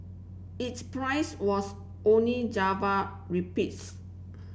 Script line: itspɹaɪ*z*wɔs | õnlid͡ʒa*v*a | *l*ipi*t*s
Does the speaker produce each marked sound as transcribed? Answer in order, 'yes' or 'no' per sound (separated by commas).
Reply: no, yes, no, yes